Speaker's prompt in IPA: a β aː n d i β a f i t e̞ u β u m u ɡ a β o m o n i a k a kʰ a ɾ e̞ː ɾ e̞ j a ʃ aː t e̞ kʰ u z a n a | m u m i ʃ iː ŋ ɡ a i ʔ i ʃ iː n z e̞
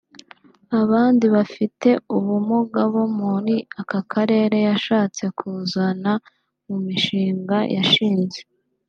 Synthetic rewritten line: a β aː n d i β a f i t e̞ u β u m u ɡ a β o m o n i a k a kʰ a ɾ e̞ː ɾ e̞ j a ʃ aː t͡s e̞ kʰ u z a n a | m u m i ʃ iː ŋ ɡ a j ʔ a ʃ iː n z e̞